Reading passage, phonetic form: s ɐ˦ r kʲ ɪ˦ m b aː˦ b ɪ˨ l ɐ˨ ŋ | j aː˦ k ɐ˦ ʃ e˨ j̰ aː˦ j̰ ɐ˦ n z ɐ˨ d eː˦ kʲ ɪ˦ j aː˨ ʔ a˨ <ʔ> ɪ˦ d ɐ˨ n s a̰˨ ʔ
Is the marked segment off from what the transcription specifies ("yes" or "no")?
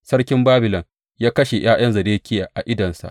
no